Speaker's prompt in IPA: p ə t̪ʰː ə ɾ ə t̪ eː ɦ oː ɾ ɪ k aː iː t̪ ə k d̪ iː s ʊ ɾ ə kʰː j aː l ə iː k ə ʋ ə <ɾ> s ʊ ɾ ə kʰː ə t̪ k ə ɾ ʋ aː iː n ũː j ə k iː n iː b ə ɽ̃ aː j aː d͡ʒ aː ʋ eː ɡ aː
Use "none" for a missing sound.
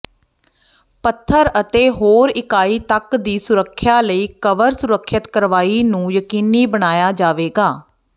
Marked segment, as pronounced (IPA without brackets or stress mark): ɾ